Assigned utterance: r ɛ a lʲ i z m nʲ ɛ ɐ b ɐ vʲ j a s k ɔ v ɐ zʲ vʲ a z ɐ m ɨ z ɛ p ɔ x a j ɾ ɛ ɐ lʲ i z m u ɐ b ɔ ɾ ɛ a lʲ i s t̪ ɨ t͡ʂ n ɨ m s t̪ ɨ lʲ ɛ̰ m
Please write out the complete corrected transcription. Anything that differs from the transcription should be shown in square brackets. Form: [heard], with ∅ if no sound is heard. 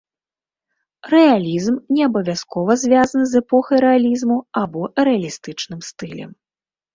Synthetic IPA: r ɛ a lʲ i z m nʲ ɛ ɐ b ɐ vʲ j a s k ɔ v ɐ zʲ vʲ a z ɐ [n] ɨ z ɛ p ɔ x [ɐ] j ɾ ɛ [a] lʲ i z m u [a] b ɔ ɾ ɛ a lʲ i s t̪ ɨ t͡ʂ n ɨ m s t̪ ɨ lʲ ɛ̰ m